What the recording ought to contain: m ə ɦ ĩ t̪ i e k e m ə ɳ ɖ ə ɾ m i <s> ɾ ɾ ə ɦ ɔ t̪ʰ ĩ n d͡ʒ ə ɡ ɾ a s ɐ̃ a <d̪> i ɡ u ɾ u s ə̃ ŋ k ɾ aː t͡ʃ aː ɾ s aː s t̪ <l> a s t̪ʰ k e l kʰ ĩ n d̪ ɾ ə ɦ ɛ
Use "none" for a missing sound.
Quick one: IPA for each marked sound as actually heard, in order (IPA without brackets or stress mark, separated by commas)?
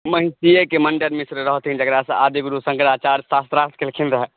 s, d̪, ɾ